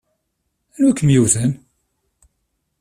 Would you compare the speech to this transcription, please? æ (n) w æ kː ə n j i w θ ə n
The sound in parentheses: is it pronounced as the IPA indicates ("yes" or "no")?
yes